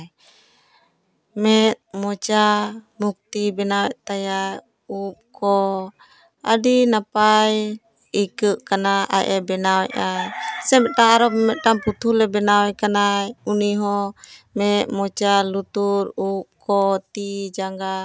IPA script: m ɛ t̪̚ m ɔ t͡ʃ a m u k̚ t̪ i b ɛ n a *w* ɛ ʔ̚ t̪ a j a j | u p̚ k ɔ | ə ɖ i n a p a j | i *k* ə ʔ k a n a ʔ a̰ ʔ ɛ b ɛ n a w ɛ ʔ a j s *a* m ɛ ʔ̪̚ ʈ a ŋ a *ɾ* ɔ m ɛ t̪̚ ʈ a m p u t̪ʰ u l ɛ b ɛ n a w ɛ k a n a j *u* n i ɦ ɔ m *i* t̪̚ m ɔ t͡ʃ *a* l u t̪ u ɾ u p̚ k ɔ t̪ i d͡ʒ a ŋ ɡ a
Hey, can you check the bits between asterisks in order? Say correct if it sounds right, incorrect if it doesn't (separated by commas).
correct, correct, incorrect, correct, correct, incorrect, correct